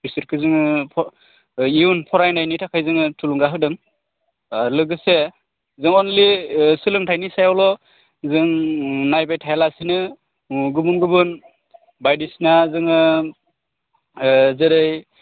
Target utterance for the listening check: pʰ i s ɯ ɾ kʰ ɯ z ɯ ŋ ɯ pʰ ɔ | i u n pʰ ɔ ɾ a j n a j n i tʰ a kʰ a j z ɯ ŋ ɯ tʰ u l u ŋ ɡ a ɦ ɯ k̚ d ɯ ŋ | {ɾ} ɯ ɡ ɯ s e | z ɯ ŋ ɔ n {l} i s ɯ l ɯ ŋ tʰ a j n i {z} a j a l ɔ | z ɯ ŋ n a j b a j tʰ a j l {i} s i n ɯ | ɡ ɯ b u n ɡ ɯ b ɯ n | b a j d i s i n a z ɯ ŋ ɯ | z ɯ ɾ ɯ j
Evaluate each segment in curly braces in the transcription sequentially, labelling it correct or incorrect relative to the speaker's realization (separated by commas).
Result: incorrect, correct, incorrect, incorrect